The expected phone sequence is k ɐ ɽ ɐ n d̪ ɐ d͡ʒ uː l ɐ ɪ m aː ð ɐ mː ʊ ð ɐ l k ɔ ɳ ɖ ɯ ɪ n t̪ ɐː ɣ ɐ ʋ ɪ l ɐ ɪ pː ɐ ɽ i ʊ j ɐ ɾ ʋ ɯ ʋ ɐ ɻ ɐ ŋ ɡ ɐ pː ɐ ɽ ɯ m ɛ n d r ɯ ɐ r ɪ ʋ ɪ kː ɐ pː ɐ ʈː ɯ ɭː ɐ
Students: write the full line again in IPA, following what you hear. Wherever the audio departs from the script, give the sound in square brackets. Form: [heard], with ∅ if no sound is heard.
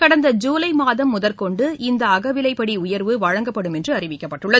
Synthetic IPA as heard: k ɐ ɽ ɐ n d̪ ɐ d͡ʒ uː l ɐ ɪ m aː ð ɐ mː ʊ ð ɐ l k ɔ ɳ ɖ ɯ ɪ n [d̪] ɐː ɣ ɐ ʋ ɪ l ɐ ɪ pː ɐ ɽ i ʊ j ɐ ɾ ʋ ɯ ʋ ɐ ɻ ɐ ŋ ɡ ɐ pː ɐ ɽ ɯ m ɛ n d r ɯ ɐ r ɪ ʋ ɪ kː ɐ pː ɐ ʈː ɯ ɭː ɐ